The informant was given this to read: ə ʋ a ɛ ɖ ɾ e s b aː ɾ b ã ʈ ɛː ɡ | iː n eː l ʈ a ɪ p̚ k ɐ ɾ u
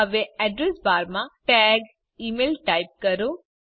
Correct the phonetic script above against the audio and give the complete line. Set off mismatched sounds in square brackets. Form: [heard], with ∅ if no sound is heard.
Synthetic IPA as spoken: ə ʋ [e] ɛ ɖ ɾ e s b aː ɾ [m] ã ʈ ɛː ɡ | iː [m] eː l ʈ a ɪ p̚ k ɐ ɾ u